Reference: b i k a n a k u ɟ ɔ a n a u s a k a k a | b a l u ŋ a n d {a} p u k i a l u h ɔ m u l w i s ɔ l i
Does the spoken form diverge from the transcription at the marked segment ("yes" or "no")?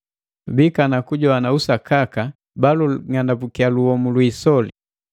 no